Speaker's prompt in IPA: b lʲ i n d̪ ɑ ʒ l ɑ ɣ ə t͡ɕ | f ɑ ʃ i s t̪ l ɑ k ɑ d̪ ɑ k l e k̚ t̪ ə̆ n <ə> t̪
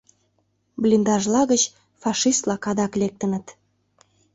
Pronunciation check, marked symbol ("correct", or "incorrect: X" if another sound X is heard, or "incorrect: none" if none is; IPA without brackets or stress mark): correct